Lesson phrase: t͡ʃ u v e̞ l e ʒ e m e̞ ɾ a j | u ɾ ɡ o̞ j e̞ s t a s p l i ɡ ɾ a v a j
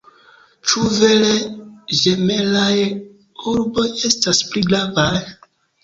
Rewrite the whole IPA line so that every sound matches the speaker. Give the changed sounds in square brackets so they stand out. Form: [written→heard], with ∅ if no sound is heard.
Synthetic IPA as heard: t͡ʃ u v e̞ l e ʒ e m e̞ [ɾ→l] a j | u ɾ [ɡ→b] o̞ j e̞ s t a s p l i ɡ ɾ a v a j